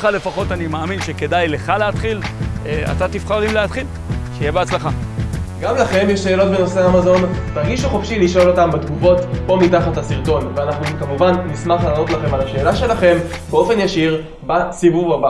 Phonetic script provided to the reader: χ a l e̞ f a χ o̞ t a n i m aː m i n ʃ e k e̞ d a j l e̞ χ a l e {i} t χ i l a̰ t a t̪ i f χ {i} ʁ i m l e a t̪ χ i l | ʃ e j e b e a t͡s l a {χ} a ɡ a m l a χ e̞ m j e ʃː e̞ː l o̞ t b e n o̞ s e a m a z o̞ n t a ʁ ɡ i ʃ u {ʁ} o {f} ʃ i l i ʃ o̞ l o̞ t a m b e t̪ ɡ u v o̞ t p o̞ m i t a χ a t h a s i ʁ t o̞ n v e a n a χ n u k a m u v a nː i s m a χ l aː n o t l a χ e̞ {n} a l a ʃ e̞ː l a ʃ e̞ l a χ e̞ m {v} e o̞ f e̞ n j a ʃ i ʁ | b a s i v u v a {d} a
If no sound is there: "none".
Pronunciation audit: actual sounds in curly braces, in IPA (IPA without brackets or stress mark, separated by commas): a, a, χ, χ, f, m, b, b